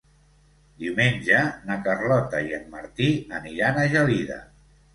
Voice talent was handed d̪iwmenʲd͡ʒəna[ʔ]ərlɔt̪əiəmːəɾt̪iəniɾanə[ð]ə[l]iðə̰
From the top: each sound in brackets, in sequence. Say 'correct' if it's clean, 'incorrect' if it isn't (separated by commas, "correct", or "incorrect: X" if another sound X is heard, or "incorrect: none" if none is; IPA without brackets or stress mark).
incorrect: k, incorrect: ʒ, correct